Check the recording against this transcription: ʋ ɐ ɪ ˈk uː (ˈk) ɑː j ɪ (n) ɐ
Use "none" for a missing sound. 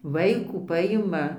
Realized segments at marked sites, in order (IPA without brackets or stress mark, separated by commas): p, m